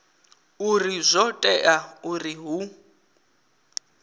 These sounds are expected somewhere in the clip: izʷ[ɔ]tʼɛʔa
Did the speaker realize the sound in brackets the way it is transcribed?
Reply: yes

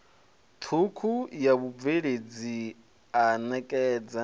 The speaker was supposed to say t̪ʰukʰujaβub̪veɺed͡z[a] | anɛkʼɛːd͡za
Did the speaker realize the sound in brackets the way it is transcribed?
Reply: no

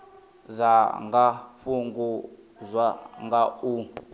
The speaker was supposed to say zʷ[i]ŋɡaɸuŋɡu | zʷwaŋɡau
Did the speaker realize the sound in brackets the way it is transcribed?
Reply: no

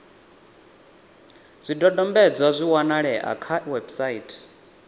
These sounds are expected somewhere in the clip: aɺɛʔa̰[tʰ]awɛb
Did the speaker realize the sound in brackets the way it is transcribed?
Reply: no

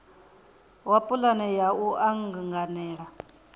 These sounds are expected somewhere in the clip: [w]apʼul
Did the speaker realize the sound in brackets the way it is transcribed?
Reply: yes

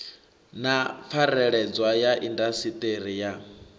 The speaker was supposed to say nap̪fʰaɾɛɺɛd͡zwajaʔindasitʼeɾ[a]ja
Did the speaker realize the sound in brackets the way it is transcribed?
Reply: no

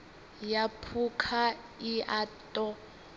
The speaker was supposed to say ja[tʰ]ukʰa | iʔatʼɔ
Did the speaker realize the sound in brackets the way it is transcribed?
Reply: no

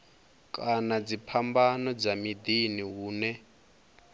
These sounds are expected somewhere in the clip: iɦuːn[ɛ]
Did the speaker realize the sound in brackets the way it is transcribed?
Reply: yes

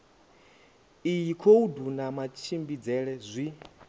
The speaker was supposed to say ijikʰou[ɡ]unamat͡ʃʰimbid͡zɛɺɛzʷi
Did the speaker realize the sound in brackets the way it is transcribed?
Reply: no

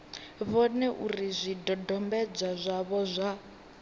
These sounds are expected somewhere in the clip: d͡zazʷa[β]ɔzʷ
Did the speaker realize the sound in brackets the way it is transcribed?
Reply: yes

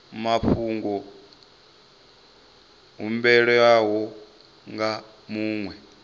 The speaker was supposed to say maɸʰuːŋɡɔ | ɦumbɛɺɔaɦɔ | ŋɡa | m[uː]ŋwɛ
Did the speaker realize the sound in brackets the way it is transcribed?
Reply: yes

